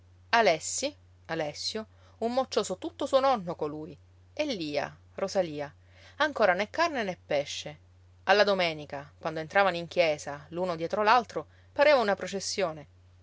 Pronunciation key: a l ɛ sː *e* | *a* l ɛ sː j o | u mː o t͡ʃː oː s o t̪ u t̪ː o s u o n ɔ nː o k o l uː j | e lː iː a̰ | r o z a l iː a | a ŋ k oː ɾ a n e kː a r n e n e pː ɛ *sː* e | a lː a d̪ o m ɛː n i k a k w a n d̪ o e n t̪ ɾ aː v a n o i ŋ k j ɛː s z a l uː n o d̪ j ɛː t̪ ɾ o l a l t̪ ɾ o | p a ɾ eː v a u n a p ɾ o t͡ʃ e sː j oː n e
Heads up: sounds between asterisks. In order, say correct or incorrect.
incorrect, correct, incorrect

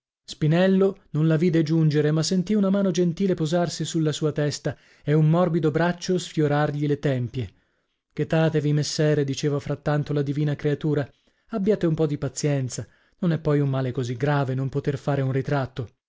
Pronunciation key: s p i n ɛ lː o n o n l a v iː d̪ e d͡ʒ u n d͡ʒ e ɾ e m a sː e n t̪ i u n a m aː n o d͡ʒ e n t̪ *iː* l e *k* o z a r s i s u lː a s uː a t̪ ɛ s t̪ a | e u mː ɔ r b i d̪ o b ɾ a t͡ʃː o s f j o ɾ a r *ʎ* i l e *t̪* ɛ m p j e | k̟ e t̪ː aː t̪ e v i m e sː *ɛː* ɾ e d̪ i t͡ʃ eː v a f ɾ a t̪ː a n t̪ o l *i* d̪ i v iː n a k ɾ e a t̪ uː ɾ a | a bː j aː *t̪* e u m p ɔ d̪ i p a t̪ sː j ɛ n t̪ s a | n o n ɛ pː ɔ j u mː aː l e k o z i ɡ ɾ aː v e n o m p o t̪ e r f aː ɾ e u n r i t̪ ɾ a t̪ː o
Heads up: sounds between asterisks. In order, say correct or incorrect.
correct, incorrect, correct, correct, correct, incorrect, correct

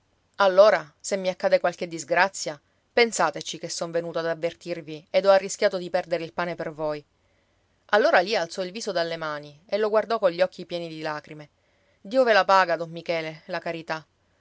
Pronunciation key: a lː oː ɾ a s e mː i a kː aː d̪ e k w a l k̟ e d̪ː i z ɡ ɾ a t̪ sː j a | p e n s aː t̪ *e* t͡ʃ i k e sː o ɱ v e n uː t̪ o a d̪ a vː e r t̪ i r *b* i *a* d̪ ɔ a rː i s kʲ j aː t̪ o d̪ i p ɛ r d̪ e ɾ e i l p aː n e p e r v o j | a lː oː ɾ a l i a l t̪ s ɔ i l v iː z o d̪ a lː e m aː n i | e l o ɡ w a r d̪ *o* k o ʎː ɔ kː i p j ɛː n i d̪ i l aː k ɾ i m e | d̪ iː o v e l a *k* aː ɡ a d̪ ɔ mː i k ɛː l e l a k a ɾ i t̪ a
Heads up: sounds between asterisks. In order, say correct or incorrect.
correct, incorrect, incorrect, incorrect, incorrect

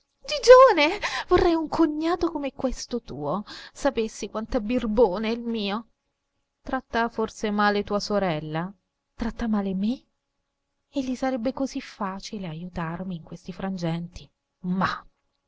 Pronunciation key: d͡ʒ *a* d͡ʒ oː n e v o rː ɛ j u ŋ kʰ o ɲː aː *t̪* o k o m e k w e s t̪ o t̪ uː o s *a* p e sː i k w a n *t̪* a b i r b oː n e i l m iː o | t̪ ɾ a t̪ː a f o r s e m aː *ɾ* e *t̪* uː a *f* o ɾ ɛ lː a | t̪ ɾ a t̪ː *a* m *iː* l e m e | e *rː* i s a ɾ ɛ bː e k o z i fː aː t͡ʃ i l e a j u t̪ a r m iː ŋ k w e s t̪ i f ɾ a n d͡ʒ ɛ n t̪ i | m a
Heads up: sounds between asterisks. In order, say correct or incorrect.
incorrect, correct, correct, correct, incorrect, correct, incorrect, correct, incorrect, incorrect

